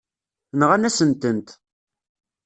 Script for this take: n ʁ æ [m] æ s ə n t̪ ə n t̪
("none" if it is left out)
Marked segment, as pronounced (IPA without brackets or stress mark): n